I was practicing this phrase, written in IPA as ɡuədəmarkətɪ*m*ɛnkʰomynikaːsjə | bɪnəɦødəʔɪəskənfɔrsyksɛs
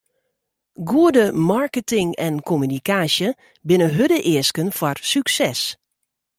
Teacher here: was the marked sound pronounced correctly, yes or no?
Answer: no